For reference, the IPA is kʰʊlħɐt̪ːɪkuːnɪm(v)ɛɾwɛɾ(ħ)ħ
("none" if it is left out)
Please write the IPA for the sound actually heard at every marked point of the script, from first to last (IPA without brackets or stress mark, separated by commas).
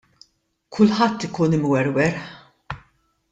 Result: w, ħ